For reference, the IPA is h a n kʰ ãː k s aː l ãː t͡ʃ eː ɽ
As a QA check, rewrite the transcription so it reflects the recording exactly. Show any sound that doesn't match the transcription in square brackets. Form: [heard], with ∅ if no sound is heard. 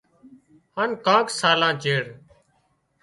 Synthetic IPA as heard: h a n [k] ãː k s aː l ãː t͡ʃ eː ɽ